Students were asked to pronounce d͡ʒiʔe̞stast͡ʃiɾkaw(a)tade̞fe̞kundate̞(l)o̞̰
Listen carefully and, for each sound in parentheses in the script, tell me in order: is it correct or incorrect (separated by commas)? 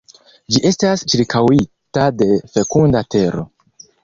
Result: incorrect, incorrect